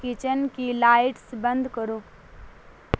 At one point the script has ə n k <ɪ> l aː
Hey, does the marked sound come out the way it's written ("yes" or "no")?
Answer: no